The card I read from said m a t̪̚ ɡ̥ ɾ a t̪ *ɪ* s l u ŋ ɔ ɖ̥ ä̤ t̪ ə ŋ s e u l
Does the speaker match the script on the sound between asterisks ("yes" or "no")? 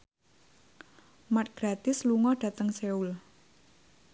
yes